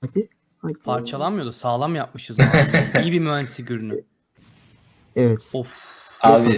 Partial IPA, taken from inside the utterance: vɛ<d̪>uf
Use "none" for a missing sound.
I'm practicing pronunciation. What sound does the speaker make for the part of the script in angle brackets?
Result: t̪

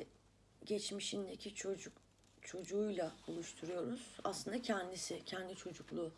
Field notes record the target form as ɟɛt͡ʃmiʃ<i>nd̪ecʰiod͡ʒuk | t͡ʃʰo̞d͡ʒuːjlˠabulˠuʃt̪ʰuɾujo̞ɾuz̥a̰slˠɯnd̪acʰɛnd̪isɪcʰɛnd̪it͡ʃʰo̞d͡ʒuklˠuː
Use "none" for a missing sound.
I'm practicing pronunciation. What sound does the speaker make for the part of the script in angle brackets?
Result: i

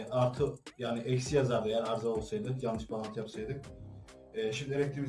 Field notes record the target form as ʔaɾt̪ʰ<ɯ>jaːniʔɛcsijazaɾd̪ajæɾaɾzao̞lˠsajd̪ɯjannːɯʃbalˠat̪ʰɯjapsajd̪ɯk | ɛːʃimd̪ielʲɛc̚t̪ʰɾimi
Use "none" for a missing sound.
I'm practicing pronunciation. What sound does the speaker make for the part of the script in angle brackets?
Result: ɯ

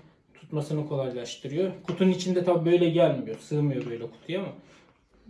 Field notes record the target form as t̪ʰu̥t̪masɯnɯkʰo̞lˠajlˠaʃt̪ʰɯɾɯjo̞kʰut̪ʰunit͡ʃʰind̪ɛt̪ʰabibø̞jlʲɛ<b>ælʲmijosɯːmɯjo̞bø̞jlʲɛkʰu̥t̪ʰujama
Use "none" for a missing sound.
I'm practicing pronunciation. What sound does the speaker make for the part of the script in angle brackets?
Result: ɟ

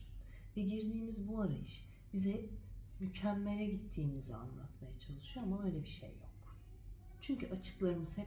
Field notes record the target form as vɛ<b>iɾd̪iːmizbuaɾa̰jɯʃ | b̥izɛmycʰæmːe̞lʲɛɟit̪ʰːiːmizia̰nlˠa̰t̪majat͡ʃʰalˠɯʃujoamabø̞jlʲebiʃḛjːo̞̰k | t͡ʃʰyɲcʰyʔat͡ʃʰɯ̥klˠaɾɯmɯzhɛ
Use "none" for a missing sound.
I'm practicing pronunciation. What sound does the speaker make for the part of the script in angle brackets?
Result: ɟ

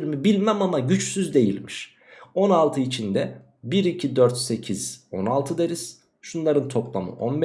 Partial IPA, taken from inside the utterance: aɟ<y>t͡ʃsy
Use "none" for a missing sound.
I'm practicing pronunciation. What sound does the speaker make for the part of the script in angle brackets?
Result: y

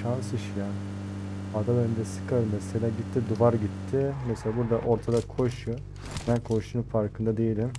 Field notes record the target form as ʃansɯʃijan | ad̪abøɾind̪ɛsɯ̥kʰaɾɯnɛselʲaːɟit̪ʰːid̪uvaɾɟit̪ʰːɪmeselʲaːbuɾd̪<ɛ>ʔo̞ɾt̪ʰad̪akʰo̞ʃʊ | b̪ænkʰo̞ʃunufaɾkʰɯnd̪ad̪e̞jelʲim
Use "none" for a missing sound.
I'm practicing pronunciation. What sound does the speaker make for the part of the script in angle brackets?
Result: a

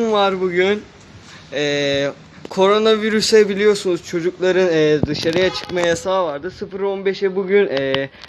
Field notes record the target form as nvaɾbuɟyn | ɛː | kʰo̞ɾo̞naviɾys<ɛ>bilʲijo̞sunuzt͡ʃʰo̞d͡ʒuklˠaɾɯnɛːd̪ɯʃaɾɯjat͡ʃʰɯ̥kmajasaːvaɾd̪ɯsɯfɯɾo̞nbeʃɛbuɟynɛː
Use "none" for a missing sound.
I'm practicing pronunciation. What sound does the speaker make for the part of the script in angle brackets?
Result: ɛ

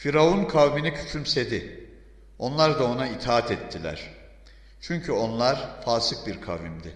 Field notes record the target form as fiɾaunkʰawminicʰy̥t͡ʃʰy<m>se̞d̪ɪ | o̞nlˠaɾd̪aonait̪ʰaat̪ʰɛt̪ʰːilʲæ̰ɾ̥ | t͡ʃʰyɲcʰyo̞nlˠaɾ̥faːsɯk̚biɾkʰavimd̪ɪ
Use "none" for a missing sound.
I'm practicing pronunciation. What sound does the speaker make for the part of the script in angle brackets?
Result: m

